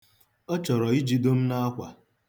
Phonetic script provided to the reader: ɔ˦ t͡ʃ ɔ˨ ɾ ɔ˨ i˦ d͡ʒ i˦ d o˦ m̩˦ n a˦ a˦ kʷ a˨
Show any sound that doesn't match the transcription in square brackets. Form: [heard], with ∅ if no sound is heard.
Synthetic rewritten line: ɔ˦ t͡ʃ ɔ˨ ɾ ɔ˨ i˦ d͡ʒ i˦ d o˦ m̩˦ n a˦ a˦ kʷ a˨